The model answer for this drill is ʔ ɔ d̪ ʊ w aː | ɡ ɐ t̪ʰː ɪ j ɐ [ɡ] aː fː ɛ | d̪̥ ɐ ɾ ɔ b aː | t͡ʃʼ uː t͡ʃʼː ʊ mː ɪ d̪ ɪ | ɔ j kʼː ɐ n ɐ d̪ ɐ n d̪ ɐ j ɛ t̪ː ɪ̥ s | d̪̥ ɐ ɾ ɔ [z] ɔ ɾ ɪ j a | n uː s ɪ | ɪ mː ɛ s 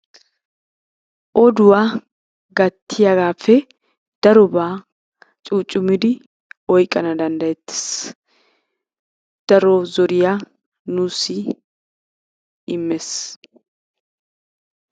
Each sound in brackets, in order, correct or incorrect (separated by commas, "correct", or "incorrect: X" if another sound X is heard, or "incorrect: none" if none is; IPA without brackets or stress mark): correct, correct